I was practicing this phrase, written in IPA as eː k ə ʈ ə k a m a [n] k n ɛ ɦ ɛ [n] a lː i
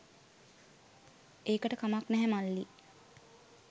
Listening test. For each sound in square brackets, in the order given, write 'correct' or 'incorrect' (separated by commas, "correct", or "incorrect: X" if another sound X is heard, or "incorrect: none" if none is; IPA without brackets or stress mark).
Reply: incorrect: none, incorrect: m